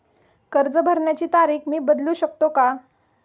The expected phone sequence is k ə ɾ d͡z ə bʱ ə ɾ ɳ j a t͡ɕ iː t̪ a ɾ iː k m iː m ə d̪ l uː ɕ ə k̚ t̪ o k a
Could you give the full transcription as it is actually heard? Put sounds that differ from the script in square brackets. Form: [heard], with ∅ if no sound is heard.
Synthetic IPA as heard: k ə ɾ d͡z ə bʱ ə ɾ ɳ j a t͡ɕ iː t̪ a ɾ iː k m iː [b] ə d̪ l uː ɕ ə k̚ t̪ o k a